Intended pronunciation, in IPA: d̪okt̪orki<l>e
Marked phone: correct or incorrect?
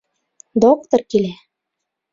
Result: correct